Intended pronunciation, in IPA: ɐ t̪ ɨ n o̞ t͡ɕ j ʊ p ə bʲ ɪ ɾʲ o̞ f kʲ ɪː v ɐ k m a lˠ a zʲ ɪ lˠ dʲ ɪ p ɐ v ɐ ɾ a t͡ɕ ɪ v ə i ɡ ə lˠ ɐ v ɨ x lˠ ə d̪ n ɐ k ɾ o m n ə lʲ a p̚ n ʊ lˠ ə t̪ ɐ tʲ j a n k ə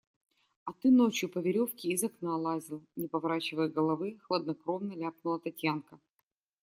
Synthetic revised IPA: ɐ t̪ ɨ n o̞ t͡ɕ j ʊ p ə vʲ ɪ ɾʲ o̞ f kʲ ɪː z ɐ k n a lˠ a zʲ ɪ lˠ nʲ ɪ p ɐ v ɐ ɾ a t͡ɕ ɪ v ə j ɡ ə lˠ ɐ v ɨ x lˠ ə d̪ n ɐ k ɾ o m n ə lʲ a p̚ n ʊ lˠ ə t̪ ɐ tʲ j a n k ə

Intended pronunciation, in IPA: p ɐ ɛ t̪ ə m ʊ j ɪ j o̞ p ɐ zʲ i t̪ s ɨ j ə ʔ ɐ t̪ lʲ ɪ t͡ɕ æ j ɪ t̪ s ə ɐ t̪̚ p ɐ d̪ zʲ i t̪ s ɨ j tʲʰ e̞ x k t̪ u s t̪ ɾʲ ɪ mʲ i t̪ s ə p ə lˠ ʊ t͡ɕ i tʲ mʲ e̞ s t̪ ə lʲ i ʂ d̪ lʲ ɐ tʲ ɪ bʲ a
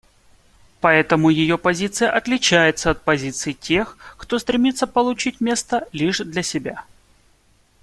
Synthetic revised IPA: p ɐ ɛ t̪ ə m ʊ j ɪ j o̞ p ɐ zʲ i t̪ s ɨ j ə ʔ ɐ t̪ lʲ ɪ t͡ɕ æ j ɪ t̪ s ə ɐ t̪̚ p ɐ zʲ i t̪ s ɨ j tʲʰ e̞ x k t̪ o s t̪ ɾʲ ɪ mʲ i t̪ s ə p ə lˠ ʊ t͡ɕ i tʲ mʲ e̞ s t̪ ə lʲ i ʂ d̪ lʲ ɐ sʲ ɪ bʲ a

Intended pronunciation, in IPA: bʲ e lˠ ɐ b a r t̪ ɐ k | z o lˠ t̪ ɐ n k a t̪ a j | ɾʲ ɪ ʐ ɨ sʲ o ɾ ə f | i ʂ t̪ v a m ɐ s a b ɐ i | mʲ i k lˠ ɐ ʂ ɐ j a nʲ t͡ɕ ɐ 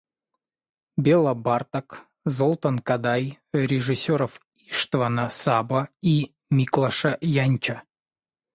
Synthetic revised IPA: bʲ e lˠ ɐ b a r t̪ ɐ k | z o lˠ t̪ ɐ n k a d̪ a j | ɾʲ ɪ ʐ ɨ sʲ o ɾ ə f | i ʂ t̪ v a n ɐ s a b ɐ i | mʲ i k lˠ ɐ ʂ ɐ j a nʲ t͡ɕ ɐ

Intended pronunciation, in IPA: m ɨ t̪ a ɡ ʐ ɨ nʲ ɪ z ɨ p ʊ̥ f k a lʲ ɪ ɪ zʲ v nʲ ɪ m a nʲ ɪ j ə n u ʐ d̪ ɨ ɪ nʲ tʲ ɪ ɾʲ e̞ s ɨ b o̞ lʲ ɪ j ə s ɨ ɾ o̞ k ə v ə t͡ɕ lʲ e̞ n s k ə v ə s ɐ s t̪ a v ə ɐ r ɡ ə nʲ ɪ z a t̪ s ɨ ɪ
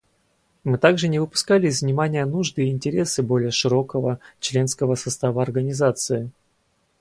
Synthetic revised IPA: m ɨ t̪ a ɡ ʐ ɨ nʲ ɪ v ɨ p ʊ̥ s k a lʲ ɪ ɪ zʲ v nʲ ɪ m a nʲ ɪ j ə n u ʐ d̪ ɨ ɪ nʲ tʲ ɪ ɾʲ e̞ s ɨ b o̞ lʲ ɪ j ə ʂ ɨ ɾ o̞ k ə v ə t͡ɕ lʲ e̞ n s k ə v ə s ɐ s t̪ a v ə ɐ r ɡ ə nʲ ɪ z a t̪ s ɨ ɪ

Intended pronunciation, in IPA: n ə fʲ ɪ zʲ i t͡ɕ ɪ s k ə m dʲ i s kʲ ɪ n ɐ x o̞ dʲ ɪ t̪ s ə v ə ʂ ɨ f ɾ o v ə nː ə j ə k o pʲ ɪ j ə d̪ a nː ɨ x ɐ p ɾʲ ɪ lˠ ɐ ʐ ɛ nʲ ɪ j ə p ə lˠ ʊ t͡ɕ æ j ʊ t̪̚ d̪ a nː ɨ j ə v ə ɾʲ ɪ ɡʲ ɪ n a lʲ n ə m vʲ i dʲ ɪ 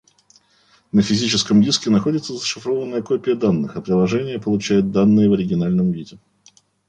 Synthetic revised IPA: n ə fʲ ɪ zʲ i t͡ɕ ɪ s k ə m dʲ i s kʲ ɪ n ɐ x o̞ dʲ ɪ t̪ s ə z ə ʂ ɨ f ɾ o v ə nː ə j ə k o pʲ ɪ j ə d̪ a nː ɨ x ɐ p ɾʲ ɪ lˠ ɐ ʐ ɛ nʲ ɪ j ə p ə lˠ ʊ t͡ɕ æ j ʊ t̪̚ d̪ a nː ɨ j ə v ə ɾʲ ɪ ɡʲ ɪ n a lʲ n ə m vʲ i dʲ ɪ

